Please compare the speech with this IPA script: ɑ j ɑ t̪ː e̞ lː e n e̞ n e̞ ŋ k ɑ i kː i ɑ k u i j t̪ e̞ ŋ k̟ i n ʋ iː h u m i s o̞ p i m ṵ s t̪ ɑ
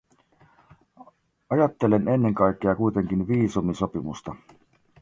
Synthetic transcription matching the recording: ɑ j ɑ t̪ː e̞ l e n e̞ nː e̞ ŋ k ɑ j kː e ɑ k u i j t̪ e̞ ŋ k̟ i n ʋ iː s u m i s o̞ p i m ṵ s t̪ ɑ